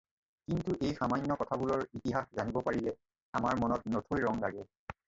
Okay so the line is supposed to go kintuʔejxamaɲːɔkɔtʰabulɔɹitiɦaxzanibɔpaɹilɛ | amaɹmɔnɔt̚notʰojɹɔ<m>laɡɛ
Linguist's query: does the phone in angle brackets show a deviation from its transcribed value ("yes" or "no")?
yes